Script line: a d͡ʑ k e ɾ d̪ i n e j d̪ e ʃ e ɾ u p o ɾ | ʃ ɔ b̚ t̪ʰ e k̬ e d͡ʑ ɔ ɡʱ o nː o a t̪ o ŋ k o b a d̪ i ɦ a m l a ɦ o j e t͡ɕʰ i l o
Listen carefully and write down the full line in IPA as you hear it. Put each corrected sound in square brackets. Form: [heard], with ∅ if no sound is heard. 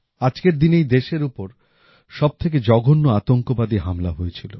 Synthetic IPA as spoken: a d͡ʑ k e ɾ d̪ i n e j d̪ e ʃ e ɾ u p o ɾ | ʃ ɔ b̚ t̪ʰ e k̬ e d͡ʑ ɔ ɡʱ o nː o a t̪ o ŋ k o b a d̪ i ɦ a m l a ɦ o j e t͡ɕʰ i l o